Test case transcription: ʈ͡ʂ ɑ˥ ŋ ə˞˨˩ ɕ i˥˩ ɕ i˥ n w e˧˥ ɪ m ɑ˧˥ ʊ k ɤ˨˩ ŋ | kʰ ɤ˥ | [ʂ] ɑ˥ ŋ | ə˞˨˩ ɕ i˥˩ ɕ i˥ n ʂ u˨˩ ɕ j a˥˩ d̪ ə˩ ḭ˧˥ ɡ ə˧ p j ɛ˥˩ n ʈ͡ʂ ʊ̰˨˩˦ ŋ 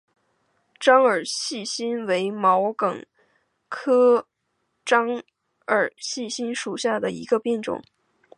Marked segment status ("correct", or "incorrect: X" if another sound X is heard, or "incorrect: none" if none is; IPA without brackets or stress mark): incorrect: ʈ͡ʂ